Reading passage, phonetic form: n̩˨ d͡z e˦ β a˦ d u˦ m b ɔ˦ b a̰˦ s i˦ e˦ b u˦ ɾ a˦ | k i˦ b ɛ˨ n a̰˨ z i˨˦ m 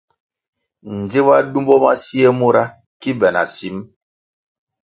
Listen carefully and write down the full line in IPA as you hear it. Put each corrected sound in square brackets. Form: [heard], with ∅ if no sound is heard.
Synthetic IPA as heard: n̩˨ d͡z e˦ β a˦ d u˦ m b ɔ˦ [m] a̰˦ s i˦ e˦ [m] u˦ ɾ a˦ | k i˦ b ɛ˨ n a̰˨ [s] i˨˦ m